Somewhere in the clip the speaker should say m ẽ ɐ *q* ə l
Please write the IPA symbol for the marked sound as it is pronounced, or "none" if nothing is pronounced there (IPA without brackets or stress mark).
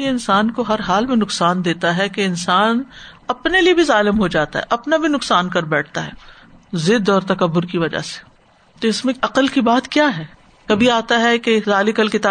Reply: q